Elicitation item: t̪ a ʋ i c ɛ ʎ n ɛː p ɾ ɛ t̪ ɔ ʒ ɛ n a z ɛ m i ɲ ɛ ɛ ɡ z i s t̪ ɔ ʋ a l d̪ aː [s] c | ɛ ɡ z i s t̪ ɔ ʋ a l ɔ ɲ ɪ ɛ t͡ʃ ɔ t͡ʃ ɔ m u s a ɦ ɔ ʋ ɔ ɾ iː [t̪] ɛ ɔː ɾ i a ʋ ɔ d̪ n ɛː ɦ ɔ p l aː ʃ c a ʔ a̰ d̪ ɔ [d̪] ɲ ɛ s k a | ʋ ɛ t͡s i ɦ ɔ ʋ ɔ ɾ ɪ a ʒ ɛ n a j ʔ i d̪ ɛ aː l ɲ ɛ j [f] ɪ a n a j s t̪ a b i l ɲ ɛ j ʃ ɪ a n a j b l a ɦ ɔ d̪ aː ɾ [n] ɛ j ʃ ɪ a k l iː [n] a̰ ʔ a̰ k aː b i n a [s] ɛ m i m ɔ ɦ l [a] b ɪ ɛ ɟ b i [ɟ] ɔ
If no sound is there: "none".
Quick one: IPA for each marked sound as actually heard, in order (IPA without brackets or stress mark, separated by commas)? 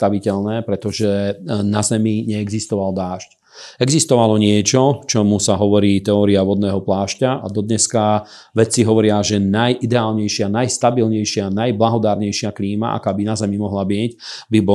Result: ʃ, t̪, d̪, ʃ, ɲ, m, z, a, b